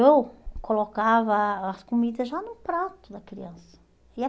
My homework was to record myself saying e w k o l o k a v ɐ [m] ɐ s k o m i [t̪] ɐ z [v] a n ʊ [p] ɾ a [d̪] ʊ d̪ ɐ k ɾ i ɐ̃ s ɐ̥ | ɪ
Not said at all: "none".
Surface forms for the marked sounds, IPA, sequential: none, d̪, ʒ, p, t̪

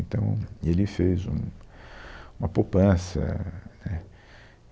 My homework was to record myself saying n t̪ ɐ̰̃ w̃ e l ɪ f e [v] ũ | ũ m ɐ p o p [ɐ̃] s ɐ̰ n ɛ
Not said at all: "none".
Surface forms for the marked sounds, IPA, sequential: z, ɐ̃

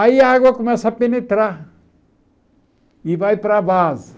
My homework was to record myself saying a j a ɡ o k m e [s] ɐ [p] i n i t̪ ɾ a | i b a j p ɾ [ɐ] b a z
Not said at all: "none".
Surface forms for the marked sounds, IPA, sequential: s, p, a

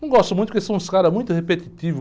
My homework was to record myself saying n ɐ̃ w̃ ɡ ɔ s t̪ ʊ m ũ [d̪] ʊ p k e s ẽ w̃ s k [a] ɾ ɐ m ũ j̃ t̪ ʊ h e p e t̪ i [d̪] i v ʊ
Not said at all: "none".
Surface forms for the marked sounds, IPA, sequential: t̪, a, t̪

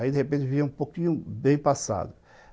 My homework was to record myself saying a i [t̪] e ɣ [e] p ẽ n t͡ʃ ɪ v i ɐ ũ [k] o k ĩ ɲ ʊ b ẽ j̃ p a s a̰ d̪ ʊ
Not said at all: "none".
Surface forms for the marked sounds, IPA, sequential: d̪, e, p

